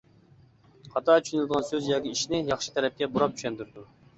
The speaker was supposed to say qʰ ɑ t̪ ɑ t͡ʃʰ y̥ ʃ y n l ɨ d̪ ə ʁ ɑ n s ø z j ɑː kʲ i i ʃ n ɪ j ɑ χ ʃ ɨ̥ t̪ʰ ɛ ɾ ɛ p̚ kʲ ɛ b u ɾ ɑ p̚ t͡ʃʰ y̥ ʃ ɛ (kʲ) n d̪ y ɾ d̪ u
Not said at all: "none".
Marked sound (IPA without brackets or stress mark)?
none